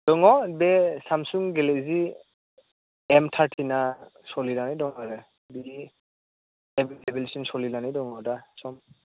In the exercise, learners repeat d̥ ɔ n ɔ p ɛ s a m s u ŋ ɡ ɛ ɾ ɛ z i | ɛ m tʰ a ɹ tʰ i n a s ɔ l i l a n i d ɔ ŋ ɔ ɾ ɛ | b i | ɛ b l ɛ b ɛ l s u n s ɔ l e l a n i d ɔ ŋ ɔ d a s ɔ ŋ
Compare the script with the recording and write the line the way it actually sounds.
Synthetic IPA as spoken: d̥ ɔ ŋ ɔ b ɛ s a m s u ŋ ɡ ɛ l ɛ z i | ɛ m tʰ a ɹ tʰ i n a s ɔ l i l a n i d ɔ ŋ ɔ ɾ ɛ | b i | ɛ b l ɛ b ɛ l s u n s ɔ l i l a n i d ɔ ŋ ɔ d a s ɔ m